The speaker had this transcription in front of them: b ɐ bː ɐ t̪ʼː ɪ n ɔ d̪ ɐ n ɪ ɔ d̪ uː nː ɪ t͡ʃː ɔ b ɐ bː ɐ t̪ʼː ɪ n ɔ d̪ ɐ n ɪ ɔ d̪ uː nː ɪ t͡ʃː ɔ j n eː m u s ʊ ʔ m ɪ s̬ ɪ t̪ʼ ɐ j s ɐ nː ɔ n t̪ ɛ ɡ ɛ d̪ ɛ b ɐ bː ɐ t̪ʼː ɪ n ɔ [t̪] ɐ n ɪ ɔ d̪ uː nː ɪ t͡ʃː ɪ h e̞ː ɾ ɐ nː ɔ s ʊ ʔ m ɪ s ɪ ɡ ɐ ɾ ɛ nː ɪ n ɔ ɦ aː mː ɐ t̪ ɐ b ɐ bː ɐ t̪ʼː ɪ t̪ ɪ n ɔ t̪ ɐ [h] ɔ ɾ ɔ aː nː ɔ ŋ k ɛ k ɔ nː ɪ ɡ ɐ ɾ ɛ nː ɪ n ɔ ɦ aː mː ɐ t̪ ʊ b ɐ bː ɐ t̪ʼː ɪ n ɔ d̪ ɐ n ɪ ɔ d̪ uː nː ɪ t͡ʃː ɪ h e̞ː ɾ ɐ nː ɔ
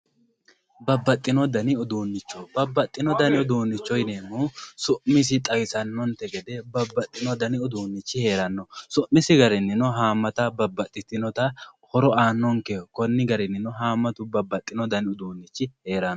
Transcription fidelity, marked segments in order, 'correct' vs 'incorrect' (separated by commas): incorrect, correct